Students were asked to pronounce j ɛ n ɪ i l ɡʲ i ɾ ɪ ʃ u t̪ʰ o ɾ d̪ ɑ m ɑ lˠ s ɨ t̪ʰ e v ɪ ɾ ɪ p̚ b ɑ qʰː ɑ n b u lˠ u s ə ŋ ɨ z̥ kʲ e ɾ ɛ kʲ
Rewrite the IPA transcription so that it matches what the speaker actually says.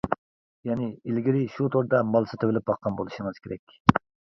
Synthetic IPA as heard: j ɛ n ɪ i l ɡʲ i ɾ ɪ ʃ u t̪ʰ o ɾ d̪ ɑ m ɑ lˠ s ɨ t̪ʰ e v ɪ l ɪ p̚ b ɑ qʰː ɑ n b o lˠ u ʃ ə ŋ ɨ z̥ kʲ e ɾ ɛ kʲ